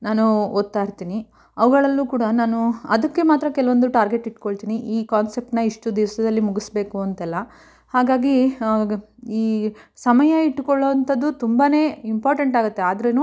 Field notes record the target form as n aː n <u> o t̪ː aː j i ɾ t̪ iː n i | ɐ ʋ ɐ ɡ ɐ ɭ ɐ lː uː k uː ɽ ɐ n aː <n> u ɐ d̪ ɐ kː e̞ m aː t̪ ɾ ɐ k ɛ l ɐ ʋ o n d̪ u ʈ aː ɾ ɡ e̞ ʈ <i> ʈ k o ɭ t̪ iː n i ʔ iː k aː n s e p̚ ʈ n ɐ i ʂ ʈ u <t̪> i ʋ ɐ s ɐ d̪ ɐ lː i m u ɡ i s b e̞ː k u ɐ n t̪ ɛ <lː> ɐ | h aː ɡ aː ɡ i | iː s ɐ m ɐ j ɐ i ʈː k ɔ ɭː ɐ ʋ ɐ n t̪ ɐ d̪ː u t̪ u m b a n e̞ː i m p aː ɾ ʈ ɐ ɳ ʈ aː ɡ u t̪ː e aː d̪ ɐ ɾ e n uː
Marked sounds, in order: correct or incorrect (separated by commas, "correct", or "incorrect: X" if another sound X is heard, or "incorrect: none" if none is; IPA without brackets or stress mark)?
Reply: correct, correct, correct, incorrect: d̪, correct